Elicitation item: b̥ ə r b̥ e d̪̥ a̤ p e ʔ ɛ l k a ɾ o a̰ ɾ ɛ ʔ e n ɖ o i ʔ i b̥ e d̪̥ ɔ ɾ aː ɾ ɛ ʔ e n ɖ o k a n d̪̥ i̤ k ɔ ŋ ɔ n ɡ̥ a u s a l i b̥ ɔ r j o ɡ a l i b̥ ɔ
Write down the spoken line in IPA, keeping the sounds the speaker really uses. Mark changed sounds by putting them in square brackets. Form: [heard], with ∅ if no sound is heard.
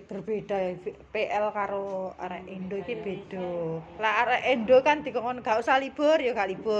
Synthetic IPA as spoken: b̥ ə r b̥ e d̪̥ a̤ p e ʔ ɛ l k a ɾ o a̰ ɾ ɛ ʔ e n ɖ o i [k] i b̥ e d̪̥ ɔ [l] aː ɾ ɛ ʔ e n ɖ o k a n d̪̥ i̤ k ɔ ŋ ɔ n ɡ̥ a u s a l i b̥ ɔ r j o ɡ a l i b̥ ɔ